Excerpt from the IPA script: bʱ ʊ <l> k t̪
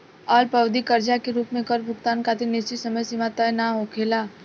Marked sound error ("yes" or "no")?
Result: yes